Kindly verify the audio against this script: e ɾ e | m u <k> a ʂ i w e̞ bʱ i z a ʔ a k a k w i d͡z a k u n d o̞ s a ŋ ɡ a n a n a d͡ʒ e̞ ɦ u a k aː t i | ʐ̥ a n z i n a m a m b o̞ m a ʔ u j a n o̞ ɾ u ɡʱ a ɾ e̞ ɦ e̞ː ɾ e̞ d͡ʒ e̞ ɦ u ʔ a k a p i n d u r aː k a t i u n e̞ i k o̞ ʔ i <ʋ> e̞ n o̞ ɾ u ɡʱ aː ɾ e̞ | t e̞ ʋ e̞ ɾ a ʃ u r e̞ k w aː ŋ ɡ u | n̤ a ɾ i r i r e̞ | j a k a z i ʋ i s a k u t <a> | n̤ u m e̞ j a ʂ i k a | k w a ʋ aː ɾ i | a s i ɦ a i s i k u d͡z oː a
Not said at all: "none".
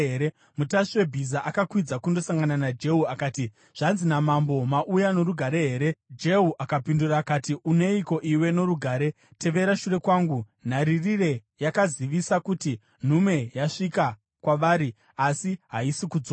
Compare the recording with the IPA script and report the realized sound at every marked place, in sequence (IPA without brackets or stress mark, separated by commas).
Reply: t, w, i